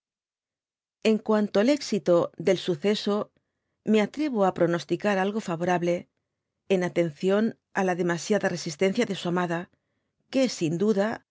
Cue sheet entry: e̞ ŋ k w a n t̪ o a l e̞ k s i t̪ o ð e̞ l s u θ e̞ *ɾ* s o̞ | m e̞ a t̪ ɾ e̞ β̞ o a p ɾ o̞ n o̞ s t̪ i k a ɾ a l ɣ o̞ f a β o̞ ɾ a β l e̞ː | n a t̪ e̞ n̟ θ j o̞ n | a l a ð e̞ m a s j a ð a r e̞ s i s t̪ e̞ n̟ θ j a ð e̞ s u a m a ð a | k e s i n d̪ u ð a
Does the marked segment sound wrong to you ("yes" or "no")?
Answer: yes